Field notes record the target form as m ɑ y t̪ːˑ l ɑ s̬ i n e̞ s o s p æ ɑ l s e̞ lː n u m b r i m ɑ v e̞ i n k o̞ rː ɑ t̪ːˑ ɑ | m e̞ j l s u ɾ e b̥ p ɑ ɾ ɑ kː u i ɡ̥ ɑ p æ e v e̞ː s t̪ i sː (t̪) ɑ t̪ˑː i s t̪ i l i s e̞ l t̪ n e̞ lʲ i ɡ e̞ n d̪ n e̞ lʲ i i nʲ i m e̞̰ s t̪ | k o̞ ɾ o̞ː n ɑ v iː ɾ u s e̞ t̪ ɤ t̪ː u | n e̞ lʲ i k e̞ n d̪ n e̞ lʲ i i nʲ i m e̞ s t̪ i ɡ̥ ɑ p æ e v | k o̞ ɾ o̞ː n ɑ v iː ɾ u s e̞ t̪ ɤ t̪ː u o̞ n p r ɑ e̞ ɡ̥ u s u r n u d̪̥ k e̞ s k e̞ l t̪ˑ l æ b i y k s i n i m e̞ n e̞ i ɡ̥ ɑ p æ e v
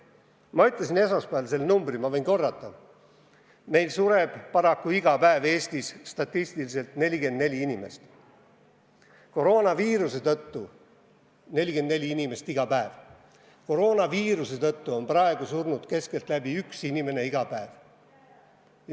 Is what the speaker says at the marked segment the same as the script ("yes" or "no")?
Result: yes